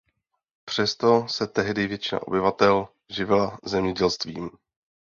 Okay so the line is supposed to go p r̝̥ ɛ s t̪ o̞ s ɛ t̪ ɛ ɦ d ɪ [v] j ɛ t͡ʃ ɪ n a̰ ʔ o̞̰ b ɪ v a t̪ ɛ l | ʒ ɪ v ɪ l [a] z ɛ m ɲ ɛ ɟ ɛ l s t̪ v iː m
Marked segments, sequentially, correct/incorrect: correct, correct

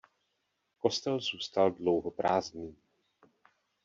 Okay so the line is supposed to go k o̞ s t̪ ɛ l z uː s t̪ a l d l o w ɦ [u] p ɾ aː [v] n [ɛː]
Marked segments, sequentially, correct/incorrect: incorrect, incorrect, incorrect

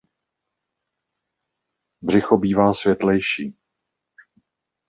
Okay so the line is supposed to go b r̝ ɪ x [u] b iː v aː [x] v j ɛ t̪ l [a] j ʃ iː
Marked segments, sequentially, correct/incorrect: incorrect, incorrect, incorrect

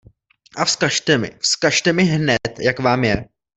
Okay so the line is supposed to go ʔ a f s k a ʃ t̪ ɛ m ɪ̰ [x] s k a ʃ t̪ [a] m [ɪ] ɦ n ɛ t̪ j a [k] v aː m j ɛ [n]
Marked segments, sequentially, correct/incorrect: incorrect, incorrect, correct, correct, incorrect

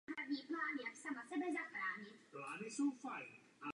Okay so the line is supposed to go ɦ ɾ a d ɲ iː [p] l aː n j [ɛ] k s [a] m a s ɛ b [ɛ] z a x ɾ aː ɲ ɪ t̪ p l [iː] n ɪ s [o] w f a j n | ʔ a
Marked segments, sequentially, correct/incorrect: correct, incorrect, correct, correct, incorrect, correct

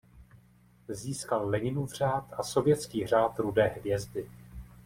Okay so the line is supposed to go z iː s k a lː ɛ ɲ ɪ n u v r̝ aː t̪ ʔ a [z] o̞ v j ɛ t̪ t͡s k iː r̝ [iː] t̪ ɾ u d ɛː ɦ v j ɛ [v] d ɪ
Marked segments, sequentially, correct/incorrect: incorrect, incorrect, incorrect

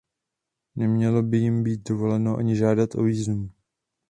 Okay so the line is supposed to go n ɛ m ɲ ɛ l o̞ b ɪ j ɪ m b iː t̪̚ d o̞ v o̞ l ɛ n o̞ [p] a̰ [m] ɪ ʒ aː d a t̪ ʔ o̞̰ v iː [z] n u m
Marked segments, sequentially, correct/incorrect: incorrect, incorrect, correct

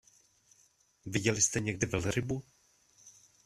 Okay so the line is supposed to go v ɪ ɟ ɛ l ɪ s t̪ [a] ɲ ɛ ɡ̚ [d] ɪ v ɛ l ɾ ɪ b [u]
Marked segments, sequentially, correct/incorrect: incorrect, correct, correct

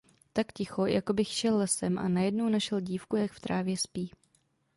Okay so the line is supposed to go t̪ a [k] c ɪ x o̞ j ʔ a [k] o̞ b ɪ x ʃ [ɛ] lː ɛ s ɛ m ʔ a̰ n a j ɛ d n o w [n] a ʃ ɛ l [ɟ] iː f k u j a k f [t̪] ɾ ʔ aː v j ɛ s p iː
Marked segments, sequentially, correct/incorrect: correct, correct, correct, correct, correct, correct

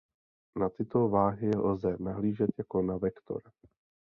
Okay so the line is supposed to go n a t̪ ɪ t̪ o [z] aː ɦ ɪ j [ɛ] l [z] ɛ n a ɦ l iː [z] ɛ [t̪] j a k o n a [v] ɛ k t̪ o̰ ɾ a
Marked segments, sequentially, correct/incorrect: incorrect, correct, correct, incorrect, correct, correct

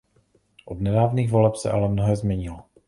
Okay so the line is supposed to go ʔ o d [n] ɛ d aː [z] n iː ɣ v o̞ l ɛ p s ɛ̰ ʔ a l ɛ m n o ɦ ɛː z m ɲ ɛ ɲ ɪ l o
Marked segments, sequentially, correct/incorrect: correct, incorrect

